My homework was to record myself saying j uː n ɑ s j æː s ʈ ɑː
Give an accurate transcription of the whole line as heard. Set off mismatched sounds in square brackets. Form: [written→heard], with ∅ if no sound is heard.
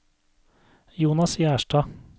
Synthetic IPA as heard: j uː n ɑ s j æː [s→ʃ] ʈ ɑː